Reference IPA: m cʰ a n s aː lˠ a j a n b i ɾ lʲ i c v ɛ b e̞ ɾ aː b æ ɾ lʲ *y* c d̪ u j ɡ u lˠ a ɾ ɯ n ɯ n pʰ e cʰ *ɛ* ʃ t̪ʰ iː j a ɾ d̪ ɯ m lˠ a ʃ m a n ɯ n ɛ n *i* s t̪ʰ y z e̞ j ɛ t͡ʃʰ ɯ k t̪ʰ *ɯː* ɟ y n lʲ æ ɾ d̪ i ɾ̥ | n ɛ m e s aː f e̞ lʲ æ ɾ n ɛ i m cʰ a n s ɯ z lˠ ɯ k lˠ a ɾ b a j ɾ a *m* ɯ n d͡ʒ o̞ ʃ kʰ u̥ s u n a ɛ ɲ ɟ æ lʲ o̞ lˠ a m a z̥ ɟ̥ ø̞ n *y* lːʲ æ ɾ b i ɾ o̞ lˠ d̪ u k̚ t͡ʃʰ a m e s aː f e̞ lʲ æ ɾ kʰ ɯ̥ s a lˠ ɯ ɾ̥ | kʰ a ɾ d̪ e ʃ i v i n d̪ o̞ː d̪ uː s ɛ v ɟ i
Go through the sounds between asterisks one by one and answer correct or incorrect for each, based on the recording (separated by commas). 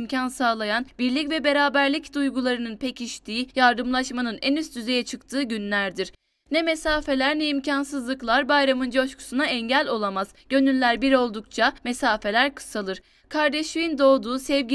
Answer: incorrect, incorrect, incorrect, correct, correct, correct